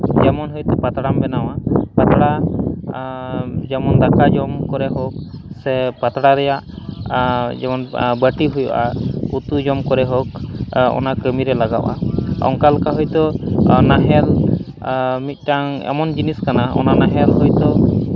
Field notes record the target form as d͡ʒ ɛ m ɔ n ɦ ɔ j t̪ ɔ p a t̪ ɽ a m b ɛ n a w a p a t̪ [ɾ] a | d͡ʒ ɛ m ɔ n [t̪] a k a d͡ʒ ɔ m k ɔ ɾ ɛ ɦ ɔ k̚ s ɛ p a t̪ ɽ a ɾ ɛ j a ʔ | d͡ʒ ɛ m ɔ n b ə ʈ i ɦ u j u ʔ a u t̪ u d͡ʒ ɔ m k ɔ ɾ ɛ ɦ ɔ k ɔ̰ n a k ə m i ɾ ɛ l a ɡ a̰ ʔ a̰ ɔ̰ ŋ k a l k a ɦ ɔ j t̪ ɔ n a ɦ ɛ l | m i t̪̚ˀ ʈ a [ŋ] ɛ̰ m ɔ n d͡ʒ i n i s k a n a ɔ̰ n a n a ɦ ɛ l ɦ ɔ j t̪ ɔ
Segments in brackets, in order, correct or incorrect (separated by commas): incorrect, incorrect, correct